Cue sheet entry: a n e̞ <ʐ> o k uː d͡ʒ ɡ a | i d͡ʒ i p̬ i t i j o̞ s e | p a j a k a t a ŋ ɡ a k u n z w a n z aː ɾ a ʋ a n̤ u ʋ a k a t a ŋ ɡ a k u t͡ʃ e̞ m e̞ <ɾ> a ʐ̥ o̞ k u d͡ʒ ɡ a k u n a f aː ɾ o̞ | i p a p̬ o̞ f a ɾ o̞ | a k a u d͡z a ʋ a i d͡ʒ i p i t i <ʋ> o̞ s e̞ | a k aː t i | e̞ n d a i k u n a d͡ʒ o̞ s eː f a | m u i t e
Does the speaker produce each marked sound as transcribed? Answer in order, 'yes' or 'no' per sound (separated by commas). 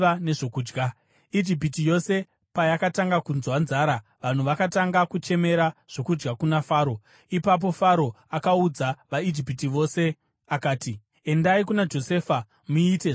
yes, yes, yes